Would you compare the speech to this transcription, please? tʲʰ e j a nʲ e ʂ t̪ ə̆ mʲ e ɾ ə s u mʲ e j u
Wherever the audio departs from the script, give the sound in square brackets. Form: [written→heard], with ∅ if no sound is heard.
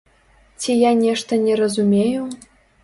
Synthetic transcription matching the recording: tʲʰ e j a nʲ e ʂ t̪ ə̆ [mʲ→nʲ] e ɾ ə [s→z] u mʲ e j u